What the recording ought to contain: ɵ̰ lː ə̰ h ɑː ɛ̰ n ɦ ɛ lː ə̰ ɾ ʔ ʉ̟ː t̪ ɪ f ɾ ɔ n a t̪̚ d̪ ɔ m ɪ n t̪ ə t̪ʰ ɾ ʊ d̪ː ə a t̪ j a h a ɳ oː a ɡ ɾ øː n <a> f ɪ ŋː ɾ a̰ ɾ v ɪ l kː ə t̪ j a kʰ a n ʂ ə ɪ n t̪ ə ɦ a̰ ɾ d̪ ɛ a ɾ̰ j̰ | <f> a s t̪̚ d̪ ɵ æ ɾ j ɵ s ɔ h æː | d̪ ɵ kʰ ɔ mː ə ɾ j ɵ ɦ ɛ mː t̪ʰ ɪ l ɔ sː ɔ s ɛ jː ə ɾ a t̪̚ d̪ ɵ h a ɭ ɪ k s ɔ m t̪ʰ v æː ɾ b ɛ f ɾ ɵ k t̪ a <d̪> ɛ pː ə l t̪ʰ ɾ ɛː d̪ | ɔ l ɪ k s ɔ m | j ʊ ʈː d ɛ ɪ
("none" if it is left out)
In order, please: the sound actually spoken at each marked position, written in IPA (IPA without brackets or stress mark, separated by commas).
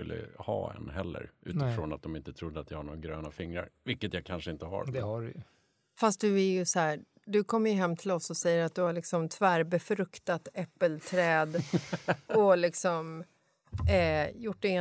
a, f, t̪